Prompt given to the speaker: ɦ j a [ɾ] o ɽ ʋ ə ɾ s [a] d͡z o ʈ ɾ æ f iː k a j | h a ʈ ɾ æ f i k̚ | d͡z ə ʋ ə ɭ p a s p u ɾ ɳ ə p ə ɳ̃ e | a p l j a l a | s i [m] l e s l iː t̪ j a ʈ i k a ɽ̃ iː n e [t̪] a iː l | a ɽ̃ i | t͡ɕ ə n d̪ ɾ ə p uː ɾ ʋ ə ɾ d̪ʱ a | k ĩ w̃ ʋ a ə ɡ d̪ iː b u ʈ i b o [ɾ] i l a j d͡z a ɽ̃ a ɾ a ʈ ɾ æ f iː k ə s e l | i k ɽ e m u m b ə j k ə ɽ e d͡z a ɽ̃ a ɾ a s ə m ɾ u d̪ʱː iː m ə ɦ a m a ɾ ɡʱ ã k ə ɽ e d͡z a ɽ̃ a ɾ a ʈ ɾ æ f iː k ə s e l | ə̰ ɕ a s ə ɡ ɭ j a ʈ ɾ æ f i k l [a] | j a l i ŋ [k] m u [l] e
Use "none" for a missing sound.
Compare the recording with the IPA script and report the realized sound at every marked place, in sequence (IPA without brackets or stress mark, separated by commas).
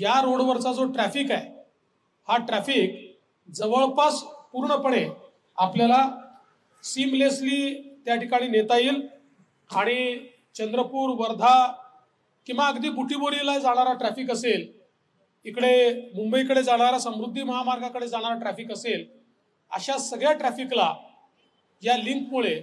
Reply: ɾ, a, m, t̪, ɾ, a, k, ɭ